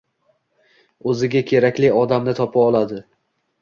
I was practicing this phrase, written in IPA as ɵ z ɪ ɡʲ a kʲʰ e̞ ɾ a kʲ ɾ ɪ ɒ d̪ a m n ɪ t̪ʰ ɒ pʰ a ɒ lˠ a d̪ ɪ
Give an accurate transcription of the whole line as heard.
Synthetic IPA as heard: ɵ z ɪ ɡʲ a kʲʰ e̞ ɾ a kʲ l ɪ ɒ d̪ a m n ɪ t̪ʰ ɒ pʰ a ɒ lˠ a d̪ ɪ